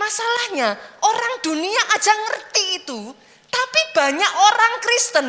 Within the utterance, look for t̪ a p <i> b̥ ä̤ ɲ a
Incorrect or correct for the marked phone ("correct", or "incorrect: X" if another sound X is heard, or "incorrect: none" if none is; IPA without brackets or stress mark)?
correct